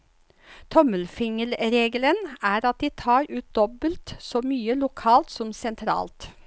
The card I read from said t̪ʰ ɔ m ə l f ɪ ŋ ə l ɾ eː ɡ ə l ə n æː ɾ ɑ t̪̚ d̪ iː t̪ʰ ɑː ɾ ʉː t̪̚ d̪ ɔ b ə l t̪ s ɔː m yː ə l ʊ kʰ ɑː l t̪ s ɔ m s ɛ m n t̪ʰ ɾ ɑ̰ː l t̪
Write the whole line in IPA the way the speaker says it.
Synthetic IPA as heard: t̪ʰ ɔ m ə l f ɪ ŋ ə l ɾ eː ɡ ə l ə n æː ɾ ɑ t̪̚ d̪ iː t̪ʰ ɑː ɾ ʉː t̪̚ d̪ ɔ b ə l t̪ s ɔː m yː ə l ʊ kʰ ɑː l t̪ s ɔ m s ɛ n t̪ʰ ɾ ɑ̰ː l t̪